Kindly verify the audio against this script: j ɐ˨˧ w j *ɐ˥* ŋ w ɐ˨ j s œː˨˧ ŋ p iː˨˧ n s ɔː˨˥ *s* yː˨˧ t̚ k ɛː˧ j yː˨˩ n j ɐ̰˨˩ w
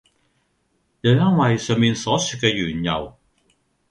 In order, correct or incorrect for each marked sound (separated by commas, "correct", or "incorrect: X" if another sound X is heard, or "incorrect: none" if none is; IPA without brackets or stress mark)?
correct, correct